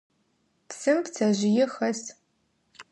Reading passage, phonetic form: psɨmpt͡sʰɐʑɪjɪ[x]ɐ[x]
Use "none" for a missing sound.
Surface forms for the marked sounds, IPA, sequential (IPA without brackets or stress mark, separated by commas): x, s